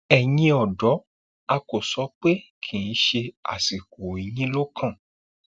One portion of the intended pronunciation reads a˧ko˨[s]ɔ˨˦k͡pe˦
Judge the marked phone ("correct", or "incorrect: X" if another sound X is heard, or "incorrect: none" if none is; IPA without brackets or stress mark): correct